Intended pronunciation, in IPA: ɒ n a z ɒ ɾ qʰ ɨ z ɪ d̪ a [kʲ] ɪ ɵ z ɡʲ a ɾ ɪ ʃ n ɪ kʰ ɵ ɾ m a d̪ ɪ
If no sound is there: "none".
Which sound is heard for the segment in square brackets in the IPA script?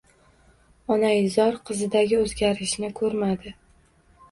ɡʲ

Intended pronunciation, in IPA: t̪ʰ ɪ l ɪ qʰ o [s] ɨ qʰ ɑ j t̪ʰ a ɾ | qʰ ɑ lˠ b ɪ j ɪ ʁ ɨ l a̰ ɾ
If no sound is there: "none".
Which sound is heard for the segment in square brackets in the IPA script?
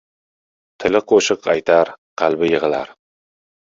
ʃ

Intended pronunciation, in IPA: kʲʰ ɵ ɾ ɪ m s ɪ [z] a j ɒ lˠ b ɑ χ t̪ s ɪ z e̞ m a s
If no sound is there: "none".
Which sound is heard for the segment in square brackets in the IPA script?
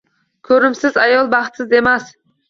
z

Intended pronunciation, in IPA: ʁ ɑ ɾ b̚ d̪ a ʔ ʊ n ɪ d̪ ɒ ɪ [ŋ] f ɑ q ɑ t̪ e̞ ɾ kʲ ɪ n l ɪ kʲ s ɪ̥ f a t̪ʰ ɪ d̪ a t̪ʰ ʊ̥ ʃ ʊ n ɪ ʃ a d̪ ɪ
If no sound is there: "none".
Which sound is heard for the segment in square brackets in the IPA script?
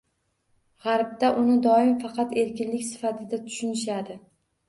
m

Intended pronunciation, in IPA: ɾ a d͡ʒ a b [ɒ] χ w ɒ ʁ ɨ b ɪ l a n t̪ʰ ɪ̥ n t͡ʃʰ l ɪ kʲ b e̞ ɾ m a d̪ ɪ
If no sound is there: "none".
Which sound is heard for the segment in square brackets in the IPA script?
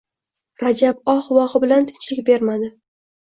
ɒ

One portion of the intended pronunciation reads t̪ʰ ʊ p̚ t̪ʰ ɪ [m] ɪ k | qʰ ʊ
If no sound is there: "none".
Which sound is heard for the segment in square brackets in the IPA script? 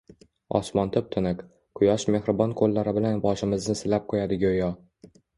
n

